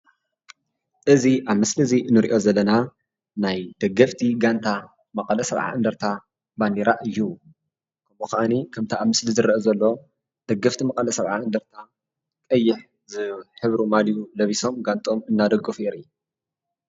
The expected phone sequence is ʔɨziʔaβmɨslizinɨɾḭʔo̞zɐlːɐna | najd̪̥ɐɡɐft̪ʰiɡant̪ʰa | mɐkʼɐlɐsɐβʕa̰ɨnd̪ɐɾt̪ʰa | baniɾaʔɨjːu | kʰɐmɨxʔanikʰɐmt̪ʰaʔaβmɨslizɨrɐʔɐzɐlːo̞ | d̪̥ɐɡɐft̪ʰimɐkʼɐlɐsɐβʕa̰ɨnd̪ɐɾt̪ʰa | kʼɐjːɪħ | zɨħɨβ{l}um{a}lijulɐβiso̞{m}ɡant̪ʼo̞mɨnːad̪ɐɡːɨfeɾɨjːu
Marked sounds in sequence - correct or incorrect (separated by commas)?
incorrect, correct, correct